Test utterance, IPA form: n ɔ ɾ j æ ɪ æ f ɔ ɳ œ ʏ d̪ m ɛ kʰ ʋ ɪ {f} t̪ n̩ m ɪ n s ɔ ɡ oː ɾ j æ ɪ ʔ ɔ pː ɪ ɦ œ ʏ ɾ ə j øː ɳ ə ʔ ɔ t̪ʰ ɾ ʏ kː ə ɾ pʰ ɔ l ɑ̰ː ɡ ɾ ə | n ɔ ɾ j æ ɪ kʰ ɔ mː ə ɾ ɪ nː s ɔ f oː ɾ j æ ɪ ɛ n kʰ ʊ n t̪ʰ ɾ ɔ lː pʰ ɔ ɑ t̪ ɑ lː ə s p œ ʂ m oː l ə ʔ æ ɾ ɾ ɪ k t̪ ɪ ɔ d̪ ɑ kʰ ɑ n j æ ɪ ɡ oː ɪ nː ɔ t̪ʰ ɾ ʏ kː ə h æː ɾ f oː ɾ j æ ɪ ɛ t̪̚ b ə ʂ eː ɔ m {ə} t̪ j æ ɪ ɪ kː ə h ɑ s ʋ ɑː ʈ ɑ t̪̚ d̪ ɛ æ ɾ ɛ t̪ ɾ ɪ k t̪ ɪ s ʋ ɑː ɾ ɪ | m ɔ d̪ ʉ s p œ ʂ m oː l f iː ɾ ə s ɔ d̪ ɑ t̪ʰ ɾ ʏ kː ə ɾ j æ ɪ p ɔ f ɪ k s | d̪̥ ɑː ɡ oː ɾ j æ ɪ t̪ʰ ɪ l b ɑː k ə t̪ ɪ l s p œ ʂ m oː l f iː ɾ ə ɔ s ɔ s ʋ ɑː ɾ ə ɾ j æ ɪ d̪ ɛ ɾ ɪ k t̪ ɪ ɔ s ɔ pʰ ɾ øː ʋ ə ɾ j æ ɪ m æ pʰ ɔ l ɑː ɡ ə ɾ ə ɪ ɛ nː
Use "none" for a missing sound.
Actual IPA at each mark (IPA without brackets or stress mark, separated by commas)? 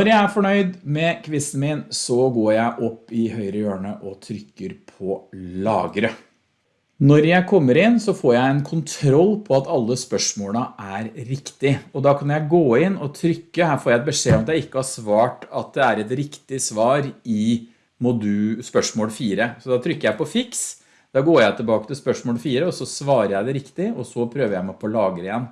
s, ɑ